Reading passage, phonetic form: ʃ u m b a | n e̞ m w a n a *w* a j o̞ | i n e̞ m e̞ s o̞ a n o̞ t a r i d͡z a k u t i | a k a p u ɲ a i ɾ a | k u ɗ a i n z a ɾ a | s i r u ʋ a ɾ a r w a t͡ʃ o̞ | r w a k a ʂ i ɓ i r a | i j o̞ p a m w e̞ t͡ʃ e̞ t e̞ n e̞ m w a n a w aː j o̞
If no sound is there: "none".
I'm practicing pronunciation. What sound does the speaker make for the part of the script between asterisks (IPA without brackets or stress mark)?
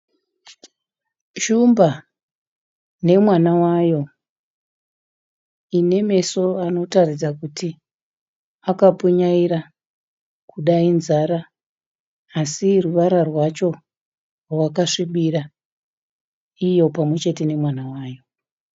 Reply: w